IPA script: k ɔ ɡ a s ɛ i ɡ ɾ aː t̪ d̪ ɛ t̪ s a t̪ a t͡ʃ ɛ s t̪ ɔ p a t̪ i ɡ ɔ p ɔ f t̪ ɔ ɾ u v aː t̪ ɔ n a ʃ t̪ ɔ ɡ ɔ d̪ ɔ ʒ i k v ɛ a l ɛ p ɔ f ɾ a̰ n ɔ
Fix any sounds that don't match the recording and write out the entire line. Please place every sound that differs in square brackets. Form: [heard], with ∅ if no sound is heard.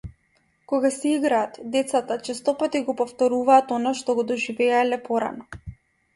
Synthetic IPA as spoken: k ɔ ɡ a s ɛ i ɡ ɾ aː t̪ d̪ ɛ t̪ s a t̪ a t͡ʃ ɛ s t̪ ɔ p a t̪ i ɡ ɔ p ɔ f t̪ ɔ ɾ u v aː t̪ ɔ n a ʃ t̪ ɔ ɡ ɔ d̪ ɔ ʒ i [∅] v ɛ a l ɛ p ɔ [∅] ɾ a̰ n ɔ